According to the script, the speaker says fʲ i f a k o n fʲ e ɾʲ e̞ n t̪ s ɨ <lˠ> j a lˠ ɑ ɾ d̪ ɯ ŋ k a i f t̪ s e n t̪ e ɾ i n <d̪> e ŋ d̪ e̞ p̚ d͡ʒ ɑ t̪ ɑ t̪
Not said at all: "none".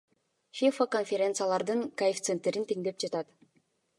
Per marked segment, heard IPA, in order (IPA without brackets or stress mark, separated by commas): none, t̪